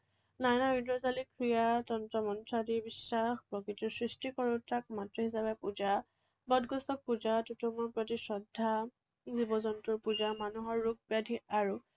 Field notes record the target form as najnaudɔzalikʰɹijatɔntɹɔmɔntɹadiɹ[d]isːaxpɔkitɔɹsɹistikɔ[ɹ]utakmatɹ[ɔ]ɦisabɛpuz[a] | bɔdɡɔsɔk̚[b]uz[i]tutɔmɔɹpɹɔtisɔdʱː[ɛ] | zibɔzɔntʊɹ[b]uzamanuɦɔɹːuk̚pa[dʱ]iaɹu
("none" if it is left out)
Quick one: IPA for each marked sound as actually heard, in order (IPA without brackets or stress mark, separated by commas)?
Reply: b, ɹ, ɔ, a, p, a, a, p, dʱ